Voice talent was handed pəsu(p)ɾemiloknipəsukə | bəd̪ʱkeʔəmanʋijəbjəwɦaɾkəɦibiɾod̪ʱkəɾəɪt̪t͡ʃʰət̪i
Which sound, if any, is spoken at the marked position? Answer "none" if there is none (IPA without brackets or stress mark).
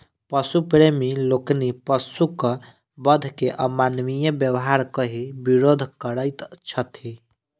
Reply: p